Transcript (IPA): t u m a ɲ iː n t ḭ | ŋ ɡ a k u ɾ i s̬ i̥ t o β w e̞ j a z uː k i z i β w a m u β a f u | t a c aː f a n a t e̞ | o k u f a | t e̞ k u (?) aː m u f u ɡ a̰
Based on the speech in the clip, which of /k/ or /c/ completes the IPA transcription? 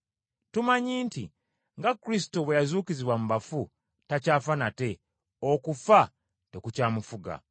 c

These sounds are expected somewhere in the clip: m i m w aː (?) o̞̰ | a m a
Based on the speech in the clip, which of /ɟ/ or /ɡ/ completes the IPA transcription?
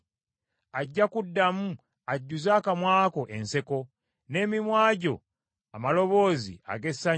ɟ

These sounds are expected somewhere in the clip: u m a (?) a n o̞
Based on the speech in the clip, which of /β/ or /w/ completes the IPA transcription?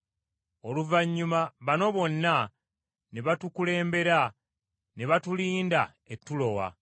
β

